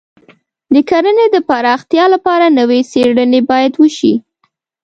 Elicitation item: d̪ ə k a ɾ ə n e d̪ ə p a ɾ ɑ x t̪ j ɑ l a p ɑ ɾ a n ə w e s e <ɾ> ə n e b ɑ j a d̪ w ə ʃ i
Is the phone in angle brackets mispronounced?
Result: yes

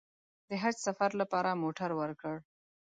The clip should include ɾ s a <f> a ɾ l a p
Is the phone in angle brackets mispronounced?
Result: no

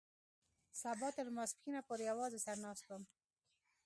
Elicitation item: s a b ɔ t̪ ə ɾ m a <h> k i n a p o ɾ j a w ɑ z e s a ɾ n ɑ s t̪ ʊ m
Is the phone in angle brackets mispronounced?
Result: yes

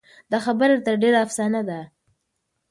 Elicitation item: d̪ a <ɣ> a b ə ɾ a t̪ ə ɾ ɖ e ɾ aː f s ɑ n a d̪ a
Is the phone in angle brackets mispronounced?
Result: yes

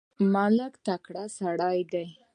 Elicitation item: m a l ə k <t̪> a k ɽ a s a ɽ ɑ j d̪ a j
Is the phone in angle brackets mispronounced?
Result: no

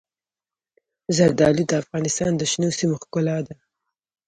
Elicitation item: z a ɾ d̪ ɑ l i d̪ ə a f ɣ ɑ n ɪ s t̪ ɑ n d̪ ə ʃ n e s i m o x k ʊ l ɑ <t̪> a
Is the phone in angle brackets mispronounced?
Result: yes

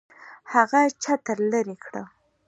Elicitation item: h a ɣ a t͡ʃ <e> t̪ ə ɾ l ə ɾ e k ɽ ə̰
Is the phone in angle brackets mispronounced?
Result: yes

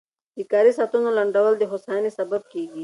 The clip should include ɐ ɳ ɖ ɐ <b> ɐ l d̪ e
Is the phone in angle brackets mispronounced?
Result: yes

